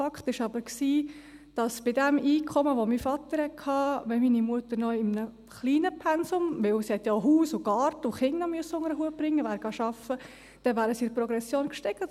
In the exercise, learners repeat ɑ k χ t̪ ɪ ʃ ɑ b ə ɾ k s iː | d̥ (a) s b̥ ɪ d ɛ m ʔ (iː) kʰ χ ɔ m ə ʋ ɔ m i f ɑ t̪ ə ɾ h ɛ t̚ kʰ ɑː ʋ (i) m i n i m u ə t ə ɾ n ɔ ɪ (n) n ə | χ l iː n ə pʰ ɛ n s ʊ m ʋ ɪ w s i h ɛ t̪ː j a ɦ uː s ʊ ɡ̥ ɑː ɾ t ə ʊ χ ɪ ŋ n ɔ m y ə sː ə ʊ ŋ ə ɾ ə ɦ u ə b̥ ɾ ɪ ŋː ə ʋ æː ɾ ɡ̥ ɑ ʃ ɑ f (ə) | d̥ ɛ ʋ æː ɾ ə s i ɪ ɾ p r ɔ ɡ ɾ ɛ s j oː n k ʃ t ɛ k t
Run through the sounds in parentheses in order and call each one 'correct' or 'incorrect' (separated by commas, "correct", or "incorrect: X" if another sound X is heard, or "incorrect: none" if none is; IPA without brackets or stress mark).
incorrect: ɑ, correct, incorrect: ɛ, incorrect: m, correct